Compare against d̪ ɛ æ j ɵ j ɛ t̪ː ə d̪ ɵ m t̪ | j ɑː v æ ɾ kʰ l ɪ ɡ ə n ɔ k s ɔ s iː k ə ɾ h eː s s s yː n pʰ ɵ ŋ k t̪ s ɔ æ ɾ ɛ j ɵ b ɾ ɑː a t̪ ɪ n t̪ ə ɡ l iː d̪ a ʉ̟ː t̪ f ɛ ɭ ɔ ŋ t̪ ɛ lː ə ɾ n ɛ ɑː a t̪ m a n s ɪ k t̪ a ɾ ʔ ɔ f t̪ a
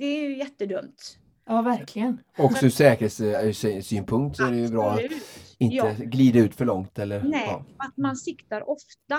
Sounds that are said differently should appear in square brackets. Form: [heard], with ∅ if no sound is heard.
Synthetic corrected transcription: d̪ ɛ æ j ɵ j ɛ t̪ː ə d̪ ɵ m t̪ | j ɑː v æ ɾ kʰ l ɪ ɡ ə n ɔ k s ɔ s [ɛː] k ə ɾ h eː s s s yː n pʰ ɵ ŋ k t̪ s ɔ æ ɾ ɛ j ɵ b ɾ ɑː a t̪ ɪ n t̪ ə ɡ l iː d̪ a ʉ̟ː t̪ f [œ] ɭ ɔ ŋ t̪ ɛ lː ə ɾ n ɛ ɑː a t̪ m a n s ɪ k t̪ a ɾ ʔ ɔ f t̪ a